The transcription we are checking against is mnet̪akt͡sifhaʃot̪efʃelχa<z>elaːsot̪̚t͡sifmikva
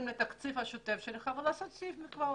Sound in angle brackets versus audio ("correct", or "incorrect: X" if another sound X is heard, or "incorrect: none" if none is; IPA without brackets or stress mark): incorrect: v